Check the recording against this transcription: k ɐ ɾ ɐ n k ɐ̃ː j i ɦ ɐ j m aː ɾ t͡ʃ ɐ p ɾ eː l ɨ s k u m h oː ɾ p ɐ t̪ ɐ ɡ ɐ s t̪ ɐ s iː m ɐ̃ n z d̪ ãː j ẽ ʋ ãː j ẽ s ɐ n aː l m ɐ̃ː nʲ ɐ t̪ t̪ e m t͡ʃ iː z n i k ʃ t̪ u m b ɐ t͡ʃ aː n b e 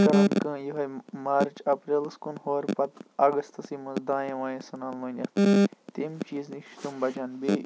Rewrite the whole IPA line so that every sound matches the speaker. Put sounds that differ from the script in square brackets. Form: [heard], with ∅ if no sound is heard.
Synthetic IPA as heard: k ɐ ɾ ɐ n k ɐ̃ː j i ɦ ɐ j m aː ɾ t͡ʃ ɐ p ɾ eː l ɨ s k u [n] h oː ɾ p ɐ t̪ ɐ ɡ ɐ s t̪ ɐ s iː m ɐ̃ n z d̪ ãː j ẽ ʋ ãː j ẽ s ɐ n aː l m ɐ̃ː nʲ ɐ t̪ t̪ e m t͡ʃ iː z n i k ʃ t̪ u m b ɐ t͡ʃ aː n b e